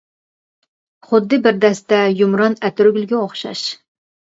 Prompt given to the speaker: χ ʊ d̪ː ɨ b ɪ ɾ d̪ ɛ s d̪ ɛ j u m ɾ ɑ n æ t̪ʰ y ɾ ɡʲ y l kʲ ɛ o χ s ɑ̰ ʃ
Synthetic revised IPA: χ ʊ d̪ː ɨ b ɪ ɾ d̪ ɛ s t̪ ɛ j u m ɾ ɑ n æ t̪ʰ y ɾ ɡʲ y l ɡʲ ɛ o χ ʃ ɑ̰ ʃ

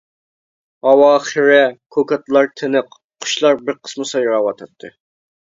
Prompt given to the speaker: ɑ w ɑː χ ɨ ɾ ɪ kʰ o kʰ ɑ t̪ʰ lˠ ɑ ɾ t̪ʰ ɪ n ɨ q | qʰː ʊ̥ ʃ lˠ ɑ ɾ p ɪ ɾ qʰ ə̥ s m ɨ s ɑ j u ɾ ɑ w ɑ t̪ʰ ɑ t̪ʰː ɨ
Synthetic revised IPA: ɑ w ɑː χ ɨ ɾ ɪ kʰ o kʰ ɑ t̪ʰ lˠ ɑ ɾ t̪ʰ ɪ n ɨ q | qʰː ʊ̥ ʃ lˠ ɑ ɾ b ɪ ɾ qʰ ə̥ s m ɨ s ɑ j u ɾ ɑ w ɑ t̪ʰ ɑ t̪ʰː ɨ

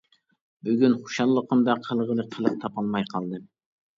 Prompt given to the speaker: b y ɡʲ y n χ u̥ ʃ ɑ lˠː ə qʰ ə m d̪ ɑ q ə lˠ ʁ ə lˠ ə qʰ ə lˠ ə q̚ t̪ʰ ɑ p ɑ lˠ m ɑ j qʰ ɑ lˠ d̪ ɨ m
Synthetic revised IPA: b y ɡʲ y n χ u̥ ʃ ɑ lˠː ə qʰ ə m d̪ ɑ qʰ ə lˠ ʁ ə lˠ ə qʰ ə lˠ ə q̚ t̪ʰ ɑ p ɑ lˠ m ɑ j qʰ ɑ lˠ d̪ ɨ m

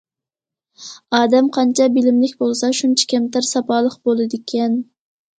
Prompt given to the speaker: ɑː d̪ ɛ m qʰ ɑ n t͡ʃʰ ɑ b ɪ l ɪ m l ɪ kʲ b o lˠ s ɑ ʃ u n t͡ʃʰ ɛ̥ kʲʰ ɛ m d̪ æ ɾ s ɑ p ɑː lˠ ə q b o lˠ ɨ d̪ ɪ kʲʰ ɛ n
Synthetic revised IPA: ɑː d̪ ɛ m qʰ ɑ n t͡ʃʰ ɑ b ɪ l ɪ m l ɪ kʲ b o lˠ s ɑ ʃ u n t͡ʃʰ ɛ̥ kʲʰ ɛ m t̪ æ ɾ s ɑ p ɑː lˠ ə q b o lˠ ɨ d̪ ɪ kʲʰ ɛ n

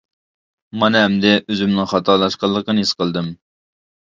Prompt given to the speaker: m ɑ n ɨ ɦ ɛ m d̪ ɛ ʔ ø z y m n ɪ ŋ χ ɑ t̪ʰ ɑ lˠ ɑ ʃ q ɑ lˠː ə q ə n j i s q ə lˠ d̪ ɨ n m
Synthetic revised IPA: m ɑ n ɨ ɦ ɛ m d̪ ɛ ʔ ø z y m n ɪ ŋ χ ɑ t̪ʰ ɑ lˠ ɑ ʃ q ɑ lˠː ə q ə n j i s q ə lˠ d̪ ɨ m

